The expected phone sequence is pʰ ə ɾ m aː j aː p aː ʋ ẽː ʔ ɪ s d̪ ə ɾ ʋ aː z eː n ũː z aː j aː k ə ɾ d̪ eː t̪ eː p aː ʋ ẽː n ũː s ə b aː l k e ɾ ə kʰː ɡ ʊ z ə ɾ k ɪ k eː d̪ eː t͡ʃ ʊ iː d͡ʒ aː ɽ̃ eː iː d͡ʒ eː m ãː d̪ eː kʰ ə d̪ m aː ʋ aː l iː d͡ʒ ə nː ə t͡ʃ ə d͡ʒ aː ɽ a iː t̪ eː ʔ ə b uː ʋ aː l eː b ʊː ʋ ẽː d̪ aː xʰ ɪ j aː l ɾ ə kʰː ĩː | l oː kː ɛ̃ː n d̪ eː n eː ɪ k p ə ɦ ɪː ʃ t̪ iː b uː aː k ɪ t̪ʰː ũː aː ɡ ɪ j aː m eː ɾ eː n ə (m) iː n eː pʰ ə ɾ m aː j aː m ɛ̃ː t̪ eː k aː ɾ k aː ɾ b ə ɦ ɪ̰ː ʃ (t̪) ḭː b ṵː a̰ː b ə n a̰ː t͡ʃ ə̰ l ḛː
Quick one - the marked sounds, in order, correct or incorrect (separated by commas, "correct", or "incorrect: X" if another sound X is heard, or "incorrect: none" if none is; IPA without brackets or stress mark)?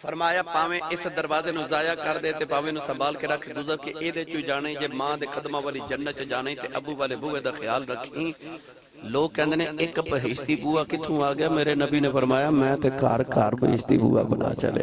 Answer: incorrect: b, correct